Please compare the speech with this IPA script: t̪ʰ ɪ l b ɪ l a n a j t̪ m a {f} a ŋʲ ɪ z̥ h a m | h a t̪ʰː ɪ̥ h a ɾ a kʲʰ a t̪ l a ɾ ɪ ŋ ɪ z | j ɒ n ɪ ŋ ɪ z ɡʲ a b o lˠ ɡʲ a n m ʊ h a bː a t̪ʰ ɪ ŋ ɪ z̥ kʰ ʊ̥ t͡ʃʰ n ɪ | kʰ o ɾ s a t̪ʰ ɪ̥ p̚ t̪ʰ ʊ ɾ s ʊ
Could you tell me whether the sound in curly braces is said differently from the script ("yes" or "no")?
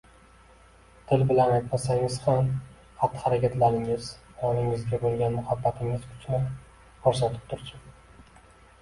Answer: yes